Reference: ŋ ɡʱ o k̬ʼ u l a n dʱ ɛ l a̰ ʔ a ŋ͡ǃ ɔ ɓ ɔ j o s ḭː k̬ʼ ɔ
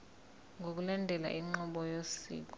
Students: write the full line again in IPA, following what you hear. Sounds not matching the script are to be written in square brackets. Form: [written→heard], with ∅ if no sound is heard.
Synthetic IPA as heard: ŋ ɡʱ o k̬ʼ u l a n dʱ ɛ l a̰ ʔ [a→i] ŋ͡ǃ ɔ ɓ ɔ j o s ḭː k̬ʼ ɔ